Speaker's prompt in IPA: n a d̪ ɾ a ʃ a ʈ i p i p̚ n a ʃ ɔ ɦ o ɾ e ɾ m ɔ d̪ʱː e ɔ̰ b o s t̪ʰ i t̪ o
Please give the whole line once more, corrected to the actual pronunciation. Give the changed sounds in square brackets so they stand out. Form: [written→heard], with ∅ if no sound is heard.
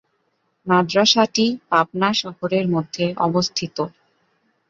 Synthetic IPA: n a d̪ ɾ a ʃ a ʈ i p [i→a] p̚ n a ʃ ɔ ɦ o ɾ e ɾ m [ɔ→o] d̪ʱː e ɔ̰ b o s t̪ʰ i t̪ o